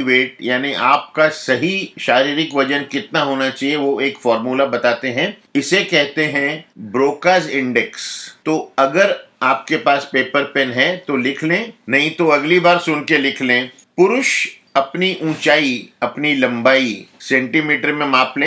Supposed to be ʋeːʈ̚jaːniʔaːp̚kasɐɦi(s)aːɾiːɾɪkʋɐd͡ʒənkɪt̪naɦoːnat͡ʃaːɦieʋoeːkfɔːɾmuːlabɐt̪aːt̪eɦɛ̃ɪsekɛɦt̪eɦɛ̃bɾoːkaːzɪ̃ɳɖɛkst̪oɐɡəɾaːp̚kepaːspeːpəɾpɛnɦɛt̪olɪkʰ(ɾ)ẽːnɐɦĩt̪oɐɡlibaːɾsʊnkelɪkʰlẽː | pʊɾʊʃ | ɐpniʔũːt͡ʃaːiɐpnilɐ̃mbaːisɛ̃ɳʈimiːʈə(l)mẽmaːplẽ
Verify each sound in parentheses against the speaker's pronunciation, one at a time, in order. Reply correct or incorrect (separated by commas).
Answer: incorrect, incorrect, incorrect